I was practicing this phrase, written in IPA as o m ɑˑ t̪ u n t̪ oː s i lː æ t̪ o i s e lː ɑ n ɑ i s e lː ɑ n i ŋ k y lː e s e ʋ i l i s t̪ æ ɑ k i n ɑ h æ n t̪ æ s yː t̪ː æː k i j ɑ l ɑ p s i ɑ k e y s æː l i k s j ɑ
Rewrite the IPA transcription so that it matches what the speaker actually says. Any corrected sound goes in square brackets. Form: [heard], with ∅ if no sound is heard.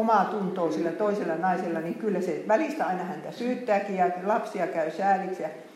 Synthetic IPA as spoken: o m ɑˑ t̪ u n t̪ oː s i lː æ t̪ o i s e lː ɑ n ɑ i s e lː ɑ n i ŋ k y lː [æ] s e ʋ [æ] l i s t̪ æ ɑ [∅] i n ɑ h æ n t̪ æ s yː t̪ː æː k i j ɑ l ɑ p s i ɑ k [æ] y s æː l i k s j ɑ